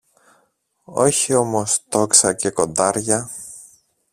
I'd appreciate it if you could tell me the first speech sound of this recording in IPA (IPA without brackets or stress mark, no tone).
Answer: o̞